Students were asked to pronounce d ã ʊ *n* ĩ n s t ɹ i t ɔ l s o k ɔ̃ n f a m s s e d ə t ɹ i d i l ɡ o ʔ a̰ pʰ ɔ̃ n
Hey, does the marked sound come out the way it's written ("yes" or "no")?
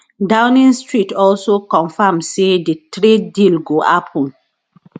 yes